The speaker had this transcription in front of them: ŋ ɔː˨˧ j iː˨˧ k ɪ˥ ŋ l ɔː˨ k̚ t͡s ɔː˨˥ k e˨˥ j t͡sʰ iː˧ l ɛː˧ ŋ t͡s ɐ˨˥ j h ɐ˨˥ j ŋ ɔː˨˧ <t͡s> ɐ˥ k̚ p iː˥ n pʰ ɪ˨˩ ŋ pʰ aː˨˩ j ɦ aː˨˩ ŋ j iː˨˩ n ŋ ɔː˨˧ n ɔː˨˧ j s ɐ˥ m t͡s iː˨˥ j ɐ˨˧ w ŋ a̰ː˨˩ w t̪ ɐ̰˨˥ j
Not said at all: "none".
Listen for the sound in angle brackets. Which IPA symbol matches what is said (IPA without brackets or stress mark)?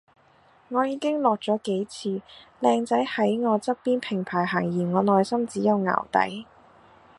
t͡s